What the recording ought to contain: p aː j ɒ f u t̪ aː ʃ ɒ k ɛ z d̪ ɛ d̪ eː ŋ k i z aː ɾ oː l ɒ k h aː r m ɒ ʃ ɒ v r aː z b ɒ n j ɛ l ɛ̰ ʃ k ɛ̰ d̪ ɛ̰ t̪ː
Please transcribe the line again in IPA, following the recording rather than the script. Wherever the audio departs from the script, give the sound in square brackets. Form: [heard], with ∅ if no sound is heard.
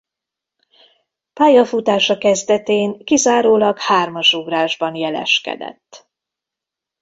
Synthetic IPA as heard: p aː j ɒ f u t̪ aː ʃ ɒ k ɛ z d̪ ɛ [t̪] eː ŋ k i z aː ɾ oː l ɒ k h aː r m ɒ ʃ [u] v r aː [ʒ] b ɒ n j ɛ l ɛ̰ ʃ k ɛ̰ d̪ ɛ̰ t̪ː